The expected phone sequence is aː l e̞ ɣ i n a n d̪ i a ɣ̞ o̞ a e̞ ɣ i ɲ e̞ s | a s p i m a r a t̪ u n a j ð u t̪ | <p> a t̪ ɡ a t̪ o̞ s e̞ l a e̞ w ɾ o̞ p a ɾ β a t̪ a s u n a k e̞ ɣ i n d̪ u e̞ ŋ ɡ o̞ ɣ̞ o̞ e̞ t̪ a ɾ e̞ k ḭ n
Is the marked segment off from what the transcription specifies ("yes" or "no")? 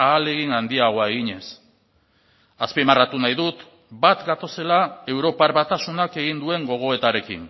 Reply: yes